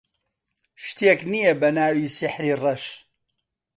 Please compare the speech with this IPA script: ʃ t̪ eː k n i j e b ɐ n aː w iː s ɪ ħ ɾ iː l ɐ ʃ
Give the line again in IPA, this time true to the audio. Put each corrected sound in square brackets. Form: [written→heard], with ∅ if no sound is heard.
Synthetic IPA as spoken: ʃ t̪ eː k n i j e b ɐ n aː w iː s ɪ ħ ɾ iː [l→r] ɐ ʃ